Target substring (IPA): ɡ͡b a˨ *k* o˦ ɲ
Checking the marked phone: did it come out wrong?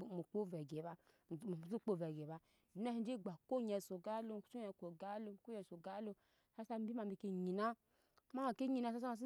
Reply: no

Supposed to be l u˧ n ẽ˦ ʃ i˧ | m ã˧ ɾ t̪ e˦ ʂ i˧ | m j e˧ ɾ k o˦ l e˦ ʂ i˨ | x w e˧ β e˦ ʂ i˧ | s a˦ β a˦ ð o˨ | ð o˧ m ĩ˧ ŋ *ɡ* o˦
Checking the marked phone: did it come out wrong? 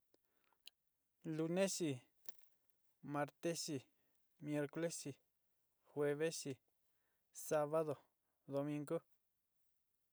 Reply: no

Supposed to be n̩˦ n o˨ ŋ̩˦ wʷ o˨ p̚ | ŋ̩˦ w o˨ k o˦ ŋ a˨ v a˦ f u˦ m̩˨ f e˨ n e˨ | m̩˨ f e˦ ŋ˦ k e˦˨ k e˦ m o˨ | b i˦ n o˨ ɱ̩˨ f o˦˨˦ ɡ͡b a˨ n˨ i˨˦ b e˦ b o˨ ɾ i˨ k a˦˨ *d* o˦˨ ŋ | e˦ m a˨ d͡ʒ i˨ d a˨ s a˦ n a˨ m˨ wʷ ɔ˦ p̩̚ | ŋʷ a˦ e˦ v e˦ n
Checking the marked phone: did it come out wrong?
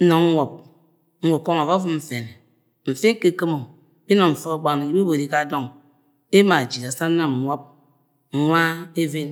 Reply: no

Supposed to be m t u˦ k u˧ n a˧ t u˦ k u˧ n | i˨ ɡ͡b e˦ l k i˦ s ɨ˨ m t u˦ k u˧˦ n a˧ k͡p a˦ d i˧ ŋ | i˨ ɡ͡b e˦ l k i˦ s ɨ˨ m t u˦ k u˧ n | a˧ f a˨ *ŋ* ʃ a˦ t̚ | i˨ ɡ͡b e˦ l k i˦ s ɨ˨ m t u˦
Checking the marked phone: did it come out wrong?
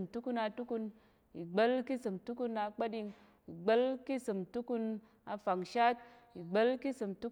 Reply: no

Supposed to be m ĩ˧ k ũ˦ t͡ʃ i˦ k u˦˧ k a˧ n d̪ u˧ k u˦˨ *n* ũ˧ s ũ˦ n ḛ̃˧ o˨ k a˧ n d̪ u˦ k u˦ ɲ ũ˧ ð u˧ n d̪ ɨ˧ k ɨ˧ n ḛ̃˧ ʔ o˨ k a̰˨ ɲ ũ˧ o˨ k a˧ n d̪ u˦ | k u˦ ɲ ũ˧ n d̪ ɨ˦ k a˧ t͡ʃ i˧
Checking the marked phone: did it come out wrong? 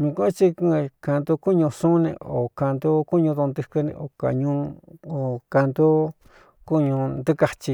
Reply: yes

